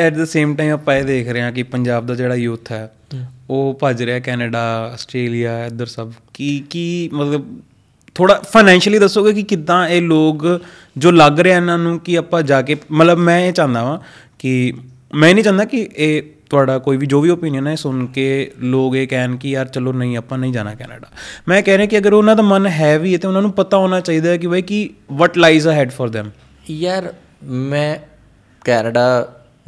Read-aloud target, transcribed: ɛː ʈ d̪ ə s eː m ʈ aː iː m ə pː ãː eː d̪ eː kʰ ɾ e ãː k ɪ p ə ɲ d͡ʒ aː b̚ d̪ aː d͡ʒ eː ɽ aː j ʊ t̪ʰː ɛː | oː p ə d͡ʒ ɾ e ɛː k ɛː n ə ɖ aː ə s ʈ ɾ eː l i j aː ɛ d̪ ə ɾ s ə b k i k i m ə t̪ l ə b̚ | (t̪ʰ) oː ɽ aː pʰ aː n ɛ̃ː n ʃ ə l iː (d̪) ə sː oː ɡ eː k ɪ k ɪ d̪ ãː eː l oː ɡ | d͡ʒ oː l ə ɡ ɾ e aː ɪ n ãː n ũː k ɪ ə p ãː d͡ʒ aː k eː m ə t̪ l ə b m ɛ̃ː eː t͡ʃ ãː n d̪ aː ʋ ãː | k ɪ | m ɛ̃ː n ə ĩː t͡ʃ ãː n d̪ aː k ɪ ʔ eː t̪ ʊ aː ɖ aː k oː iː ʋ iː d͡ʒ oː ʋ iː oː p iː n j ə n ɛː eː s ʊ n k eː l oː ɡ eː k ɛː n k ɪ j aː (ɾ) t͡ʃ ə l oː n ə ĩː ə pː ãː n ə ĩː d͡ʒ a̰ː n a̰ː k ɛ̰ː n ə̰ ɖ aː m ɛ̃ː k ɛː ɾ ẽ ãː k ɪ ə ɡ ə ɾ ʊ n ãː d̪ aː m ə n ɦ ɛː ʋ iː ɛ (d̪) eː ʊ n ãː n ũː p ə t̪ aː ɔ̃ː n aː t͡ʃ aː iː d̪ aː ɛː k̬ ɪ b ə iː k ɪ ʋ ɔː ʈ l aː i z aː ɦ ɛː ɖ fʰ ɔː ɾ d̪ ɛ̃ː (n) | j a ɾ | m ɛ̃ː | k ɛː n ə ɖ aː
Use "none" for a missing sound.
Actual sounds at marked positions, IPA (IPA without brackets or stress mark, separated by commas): t̪ʰ, d̪, ɾ, t̪, m